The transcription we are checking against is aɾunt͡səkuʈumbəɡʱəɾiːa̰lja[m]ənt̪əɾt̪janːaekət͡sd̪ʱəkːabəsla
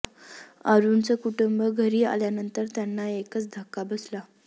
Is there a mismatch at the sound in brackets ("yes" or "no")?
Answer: yes